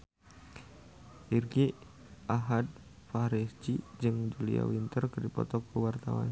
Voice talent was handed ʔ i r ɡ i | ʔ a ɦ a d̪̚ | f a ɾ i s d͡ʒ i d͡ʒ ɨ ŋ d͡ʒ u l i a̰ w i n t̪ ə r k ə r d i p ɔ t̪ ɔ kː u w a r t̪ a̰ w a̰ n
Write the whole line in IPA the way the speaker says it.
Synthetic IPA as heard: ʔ i r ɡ i | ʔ a ɦ a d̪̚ | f a ɾ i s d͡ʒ i d͡ʒ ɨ ŋ d͡ʒ u l i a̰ w i n t̪ ə r k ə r d i p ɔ t̪ ɔ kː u w a r t̪ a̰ w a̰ n